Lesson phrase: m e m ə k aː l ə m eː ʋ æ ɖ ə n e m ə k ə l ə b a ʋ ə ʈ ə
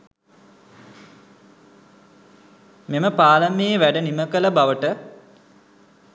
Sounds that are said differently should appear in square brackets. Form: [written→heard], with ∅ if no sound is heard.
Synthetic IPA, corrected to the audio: m e m ə [k→p] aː l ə m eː ʋ æ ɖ ə n [e→i] m ə k ə l ə b a ʋ ə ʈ ə